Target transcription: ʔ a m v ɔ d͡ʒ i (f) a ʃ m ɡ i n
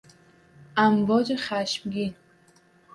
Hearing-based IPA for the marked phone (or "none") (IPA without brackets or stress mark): χ